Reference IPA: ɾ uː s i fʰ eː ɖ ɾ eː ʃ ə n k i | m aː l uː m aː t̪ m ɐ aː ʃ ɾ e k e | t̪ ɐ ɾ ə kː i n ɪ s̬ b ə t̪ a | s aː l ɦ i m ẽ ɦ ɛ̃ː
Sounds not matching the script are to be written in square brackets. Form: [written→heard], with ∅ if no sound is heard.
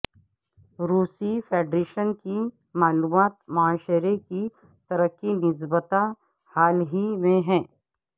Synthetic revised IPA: ɾ uː s i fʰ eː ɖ ɾ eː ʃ ə n k i | m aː l uː m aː t̪ m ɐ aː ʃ ɾ e k [e→i] | t̪ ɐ ɾ ə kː i n ɪ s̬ b ə t̪ a | [s→h] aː l ɦ i m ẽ ɦ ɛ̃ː